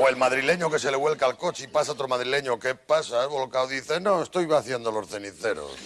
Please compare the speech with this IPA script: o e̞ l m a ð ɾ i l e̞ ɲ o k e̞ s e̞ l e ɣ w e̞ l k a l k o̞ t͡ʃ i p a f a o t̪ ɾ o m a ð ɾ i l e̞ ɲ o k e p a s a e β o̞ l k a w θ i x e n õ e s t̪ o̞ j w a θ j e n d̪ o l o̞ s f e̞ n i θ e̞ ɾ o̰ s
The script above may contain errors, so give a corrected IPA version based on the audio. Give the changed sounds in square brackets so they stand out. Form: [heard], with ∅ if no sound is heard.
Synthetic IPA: o e̞ l m a ð ɾ i l e̞ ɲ o k e̞ s e̞ l e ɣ w e̞ l k a l k o̞ t͡ʃ i p a [s] a o t̪ ɾ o m a ð ɾ i l e̞ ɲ o k e p a s a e β o̞ l k a w [ð] i [θ] e n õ e s t̪ o̞ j [β] a θ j e n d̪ o l o̞ s [θ] e̞ n i θ e̞ ɾ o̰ s